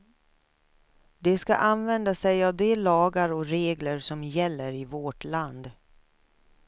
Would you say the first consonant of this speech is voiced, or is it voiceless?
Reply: voiced